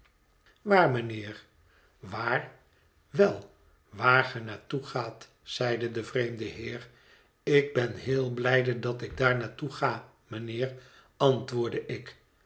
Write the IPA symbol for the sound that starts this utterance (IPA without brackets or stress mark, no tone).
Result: ʋ